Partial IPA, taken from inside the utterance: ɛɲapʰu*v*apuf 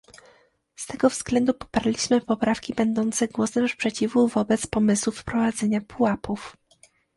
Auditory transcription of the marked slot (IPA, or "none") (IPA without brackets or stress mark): w